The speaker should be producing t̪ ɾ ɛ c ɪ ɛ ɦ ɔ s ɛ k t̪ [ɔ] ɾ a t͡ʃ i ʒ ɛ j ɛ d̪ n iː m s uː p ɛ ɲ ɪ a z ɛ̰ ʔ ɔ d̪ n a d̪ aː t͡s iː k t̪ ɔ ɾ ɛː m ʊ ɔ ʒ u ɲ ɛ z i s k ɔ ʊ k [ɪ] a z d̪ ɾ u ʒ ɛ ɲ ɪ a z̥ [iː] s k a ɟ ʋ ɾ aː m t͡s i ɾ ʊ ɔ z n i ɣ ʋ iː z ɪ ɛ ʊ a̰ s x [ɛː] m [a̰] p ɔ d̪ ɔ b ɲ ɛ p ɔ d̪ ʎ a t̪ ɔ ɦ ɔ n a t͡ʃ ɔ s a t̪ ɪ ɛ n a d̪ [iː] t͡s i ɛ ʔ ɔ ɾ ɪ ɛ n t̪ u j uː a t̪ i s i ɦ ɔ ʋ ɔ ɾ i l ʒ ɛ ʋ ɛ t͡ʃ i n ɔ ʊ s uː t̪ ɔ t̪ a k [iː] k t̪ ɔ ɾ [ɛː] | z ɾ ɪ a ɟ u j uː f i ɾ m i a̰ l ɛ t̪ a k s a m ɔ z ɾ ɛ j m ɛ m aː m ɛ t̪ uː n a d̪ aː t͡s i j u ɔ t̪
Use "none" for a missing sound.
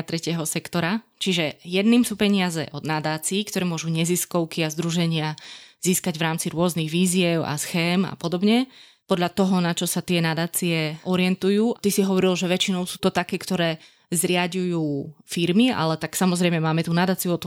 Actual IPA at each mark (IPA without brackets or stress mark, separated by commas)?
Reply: ɔ, i, iː, ɛː, a̰, aː, ɛː, ɛː